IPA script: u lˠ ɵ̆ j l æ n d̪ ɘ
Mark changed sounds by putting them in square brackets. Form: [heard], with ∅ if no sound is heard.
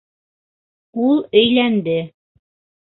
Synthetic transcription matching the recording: u lˠ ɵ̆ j l æ n d̪ ɘ